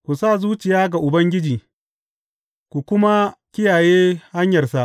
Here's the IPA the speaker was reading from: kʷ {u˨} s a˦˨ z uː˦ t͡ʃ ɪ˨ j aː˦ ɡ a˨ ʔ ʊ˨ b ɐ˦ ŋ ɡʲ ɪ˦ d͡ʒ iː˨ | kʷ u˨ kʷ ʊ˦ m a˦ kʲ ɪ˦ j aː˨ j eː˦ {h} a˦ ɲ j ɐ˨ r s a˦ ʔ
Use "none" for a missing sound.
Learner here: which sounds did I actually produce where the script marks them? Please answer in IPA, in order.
u˨, h

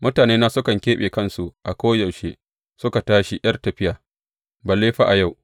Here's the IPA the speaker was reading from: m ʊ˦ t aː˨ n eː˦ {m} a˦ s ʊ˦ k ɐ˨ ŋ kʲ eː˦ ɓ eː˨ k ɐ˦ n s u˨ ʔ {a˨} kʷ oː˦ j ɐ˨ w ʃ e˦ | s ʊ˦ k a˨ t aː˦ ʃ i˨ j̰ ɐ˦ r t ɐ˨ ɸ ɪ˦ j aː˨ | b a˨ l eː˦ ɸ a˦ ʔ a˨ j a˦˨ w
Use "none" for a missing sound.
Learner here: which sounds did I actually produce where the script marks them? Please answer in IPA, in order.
n, a˨

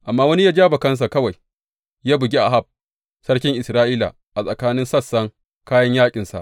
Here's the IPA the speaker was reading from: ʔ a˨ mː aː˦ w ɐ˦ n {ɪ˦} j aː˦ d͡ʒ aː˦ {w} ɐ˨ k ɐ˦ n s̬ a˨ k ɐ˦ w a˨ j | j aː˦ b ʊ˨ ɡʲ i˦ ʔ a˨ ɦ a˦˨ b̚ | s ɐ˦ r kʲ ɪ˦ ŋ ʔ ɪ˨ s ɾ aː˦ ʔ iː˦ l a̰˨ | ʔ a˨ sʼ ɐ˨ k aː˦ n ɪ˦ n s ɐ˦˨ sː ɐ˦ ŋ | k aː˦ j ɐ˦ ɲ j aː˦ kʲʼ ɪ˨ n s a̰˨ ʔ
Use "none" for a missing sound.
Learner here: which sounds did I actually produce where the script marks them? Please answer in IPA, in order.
i˦, b

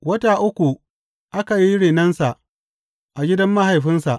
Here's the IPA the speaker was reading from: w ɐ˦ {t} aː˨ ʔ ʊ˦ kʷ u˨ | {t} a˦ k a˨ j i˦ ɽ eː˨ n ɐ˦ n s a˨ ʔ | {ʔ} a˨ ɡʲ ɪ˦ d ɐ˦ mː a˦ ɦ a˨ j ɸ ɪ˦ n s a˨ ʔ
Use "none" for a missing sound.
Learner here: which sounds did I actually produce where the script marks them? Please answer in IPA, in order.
t, ʔ, ʔ

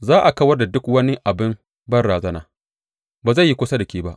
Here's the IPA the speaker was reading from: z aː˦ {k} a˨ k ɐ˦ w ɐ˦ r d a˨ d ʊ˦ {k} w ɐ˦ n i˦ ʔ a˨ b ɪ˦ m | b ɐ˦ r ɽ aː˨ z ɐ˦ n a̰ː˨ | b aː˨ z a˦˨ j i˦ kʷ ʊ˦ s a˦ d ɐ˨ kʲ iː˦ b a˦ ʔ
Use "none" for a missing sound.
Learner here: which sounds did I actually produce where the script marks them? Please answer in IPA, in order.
ʔ, k

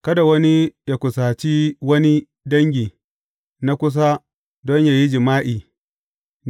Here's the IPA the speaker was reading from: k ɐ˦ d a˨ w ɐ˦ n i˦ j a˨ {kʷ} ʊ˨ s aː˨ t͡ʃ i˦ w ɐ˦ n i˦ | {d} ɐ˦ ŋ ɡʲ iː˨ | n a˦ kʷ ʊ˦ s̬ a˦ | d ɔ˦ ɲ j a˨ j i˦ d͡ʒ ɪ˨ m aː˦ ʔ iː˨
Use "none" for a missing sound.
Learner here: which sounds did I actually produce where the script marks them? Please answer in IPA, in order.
kʷ, d

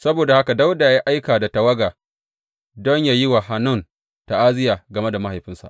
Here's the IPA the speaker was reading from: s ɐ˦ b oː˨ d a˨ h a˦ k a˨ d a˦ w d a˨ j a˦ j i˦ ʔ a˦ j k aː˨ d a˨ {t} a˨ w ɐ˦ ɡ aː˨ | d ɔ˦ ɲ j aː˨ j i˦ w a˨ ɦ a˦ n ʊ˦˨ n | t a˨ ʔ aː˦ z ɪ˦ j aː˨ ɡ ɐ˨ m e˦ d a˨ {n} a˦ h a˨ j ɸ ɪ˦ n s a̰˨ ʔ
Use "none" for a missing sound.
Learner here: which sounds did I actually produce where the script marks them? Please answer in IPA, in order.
t, m

